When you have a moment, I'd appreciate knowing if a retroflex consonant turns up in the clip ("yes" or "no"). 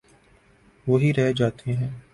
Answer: no